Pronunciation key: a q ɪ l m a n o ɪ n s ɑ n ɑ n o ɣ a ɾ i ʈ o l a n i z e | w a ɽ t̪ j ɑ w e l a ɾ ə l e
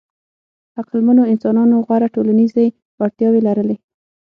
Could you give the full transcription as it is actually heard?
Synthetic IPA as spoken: a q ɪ l m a n o ɪ n s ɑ n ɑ n o ɣ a ɾ a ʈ o l a n i z e | w a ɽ t̪ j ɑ w e l a ɾ ə l e